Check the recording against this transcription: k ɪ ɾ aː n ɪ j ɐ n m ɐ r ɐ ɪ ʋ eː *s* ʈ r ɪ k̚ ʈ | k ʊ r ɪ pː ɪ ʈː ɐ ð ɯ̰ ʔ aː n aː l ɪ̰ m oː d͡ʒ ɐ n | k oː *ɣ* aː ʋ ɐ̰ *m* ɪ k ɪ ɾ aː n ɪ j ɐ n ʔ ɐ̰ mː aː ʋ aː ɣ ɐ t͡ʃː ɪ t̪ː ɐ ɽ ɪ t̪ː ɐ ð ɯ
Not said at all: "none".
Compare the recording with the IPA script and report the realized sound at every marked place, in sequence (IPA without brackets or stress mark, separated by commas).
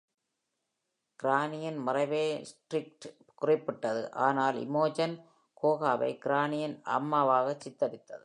s, ɣ, none